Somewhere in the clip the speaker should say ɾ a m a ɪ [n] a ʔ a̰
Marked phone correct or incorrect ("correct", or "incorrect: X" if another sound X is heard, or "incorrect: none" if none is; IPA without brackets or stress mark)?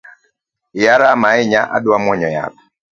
incorrect: ɲ